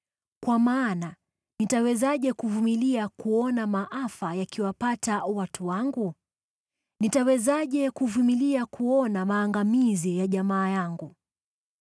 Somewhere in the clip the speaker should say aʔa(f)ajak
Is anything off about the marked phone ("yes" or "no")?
no